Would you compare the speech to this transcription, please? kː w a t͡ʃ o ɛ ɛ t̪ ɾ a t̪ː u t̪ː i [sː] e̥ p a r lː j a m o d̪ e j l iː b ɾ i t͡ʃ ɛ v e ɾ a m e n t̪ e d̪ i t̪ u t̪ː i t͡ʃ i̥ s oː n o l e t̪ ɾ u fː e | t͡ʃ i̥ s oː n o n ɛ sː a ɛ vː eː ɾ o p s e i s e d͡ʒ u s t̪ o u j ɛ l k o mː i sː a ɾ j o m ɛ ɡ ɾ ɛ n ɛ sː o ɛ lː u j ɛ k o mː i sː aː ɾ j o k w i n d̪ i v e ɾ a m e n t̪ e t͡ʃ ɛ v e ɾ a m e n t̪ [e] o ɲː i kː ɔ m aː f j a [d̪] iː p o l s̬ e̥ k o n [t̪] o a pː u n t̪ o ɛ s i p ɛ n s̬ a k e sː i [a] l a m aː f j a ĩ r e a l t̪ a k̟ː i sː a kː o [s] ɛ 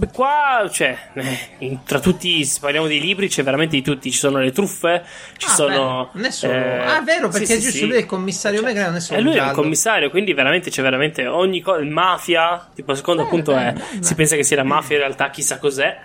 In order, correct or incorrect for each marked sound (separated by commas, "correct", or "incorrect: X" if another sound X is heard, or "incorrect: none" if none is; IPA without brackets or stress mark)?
incorrect: s, correct, incorrect: t̪, incorrect: d̪, correct, incorrect: z